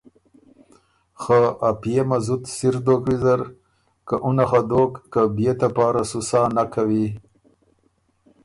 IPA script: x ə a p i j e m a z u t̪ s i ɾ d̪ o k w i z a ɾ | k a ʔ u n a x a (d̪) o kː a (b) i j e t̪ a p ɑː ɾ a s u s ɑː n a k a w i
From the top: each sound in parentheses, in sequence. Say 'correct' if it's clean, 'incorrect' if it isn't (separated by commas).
correct, correct